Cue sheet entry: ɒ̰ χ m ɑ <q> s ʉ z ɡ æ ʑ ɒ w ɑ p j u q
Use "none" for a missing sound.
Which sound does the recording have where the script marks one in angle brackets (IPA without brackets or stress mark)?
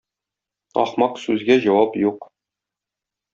q